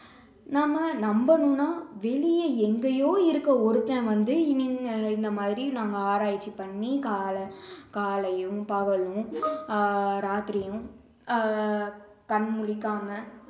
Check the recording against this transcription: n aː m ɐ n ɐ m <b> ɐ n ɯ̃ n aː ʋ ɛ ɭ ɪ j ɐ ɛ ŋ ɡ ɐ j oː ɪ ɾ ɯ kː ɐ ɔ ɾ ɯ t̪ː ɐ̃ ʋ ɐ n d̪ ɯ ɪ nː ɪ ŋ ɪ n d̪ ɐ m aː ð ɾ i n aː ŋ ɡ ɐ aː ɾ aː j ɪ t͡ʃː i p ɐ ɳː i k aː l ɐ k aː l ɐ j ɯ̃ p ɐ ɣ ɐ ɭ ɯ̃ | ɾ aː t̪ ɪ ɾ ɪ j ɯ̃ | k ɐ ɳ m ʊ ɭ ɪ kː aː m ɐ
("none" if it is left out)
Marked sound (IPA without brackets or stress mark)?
b